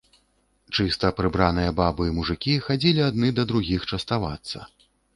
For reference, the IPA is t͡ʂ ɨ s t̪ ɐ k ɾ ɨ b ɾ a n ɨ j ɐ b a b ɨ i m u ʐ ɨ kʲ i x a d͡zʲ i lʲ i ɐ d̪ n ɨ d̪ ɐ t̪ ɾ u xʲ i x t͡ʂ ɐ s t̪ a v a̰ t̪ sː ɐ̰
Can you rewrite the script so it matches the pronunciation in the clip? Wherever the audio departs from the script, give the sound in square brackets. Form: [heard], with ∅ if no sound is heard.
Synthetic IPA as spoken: t͡ʂ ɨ s t̪ ɐ [p] ɾ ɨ b ɾ a n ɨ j ɐ b a b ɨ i m u ʐ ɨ kʲ i x a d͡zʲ i lʲ i [a] d̪ n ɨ d̪ ɐ [d̪] ɾ u [ɣʲ] i x t͡ʂ ɐ s t̪ a v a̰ t̪ sː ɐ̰